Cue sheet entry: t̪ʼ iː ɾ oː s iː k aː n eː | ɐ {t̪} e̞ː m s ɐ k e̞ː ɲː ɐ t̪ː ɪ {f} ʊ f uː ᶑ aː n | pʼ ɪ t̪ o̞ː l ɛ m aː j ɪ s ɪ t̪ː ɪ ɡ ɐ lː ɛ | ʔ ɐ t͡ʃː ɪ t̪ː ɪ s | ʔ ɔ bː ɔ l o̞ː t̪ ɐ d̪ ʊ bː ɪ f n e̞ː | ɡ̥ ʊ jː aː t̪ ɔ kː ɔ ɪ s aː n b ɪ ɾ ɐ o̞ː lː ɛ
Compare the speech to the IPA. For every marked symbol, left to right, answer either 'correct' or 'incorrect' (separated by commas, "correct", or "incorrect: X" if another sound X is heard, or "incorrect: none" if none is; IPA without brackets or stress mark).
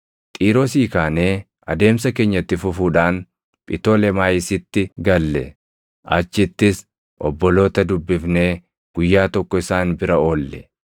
incorrect: d̪, correct